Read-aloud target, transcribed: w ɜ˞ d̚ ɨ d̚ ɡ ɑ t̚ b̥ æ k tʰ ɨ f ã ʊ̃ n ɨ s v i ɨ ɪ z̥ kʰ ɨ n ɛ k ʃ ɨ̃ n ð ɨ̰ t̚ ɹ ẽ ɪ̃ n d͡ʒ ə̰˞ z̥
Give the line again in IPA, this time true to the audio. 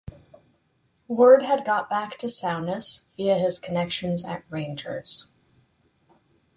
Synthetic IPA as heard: w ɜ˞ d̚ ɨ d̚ ɡ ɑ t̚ b̥ æ k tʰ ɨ s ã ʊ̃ n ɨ s v i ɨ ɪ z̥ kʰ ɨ n ɛ k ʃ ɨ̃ n z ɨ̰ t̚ ɹ ẽ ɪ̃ n d͡ʒ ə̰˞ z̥

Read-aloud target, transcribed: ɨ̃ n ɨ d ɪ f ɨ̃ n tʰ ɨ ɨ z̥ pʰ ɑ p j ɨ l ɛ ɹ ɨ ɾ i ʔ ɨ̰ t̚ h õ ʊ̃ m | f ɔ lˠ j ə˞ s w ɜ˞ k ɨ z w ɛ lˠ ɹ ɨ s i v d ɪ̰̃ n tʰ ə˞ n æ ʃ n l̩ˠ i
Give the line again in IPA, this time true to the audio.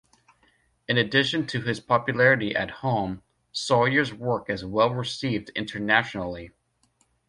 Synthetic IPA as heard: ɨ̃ n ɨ d ɪ ʃ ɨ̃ n tʰ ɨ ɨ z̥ pʰ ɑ p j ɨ l ɛ ɹ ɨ ɾ i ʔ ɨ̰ t̚ h õ ʊ̃ m | s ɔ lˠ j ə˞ z w ɜ˞ k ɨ z w ɛ lˠ ɹ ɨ s i v d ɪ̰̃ n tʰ ə˞ n æ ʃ n l̩ˠ i

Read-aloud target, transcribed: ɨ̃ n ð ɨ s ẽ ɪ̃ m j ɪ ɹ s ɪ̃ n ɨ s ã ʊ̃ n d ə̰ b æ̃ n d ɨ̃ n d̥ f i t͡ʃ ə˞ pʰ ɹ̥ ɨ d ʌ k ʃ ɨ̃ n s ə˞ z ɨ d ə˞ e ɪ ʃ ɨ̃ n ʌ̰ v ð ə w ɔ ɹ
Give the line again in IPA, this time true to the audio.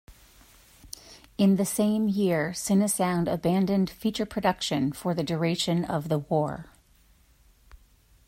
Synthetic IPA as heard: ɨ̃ n ð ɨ s ẽ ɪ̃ m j ɪ ɹ s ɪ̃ n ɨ s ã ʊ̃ n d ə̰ b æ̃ n d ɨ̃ n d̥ f i t͡ʃ ə˞ pʰ ɹ̥ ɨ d ʌ k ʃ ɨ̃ n f ə˞ ð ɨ d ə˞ e ɪ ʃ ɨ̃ n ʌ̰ v ð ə w ɔ ɹ

